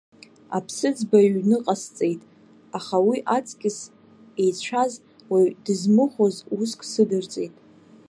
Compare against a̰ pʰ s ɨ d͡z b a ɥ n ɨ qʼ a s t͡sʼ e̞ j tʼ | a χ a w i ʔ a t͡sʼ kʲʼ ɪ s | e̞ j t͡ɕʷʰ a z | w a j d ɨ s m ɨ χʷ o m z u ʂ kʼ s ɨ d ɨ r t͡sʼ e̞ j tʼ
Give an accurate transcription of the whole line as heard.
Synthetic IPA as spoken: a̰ pʰ s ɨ d͡z b a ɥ n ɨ qʼ a s t͡sʼ e̞ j tʼ | a χ a w i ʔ a t͡sʼ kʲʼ ɪ s | e̞ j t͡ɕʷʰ a z | w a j d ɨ z m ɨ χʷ o z u s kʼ s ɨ d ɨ r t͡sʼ e̞ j tʼ